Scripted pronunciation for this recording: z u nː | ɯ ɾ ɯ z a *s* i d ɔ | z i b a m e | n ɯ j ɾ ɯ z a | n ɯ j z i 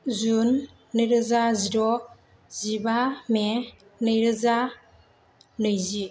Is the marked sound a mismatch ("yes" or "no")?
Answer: yes